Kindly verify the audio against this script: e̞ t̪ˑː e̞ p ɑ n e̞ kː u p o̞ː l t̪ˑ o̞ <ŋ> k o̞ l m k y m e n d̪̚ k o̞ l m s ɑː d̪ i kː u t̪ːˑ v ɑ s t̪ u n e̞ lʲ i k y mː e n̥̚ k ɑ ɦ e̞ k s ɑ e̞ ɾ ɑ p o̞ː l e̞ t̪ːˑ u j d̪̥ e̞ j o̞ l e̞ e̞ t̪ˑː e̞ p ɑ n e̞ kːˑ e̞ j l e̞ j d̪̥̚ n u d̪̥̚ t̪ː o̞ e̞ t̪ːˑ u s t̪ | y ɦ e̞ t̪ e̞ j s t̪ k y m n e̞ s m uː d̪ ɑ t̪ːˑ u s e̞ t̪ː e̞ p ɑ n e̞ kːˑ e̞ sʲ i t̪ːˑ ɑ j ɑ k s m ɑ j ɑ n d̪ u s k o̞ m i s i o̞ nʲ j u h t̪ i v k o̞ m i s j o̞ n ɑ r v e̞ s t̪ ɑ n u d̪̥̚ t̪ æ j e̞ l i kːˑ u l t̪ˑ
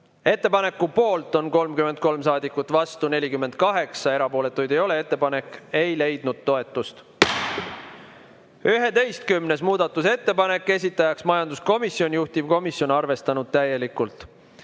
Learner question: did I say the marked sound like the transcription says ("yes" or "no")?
no